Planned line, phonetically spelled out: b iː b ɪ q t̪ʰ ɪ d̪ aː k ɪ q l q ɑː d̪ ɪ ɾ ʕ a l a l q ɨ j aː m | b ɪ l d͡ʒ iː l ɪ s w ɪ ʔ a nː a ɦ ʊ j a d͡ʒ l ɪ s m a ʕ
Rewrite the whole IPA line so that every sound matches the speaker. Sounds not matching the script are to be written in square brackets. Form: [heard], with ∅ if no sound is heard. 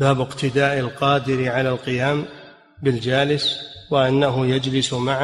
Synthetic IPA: b [aː] b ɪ q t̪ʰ ɪ d̪ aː [ʔ] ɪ [∅] l q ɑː d̪ ɪ ɾ ʕ a l a l q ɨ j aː m | b ɪ l d͡ʒ [aː] l ɪ s w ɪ ʔ a nː a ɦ ʊ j a d͡ʒ l ɪ s m a ʕ